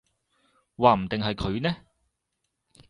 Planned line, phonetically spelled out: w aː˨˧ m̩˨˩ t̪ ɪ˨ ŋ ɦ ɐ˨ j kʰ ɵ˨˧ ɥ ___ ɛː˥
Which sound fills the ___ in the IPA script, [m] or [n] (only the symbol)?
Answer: n